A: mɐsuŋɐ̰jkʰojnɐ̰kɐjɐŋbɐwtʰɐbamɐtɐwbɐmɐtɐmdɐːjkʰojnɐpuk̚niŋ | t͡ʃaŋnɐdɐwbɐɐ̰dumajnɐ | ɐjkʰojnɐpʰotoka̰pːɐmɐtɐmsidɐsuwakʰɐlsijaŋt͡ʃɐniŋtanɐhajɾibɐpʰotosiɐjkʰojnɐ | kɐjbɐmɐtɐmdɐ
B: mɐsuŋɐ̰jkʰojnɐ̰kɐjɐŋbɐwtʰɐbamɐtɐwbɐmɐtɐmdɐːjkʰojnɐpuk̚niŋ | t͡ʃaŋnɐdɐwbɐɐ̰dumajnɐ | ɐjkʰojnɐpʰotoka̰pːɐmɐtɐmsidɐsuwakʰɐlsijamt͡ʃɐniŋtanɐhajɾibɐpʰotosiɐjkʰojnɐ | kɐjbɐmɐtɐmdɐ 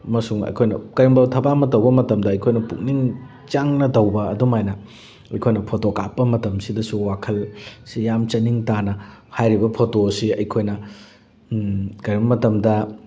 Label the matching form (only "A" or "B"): B